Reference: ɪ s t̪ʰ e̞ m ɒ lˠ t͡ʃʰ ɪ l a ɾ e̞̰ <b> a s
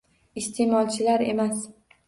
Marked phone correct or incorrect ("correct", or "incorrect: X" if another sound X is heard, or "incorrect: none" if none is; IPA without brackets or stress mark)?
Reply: incorrect: m